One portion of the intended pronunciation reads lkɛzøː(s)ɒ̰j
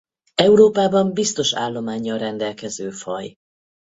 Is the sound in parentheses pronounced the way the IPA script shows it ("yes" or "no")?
no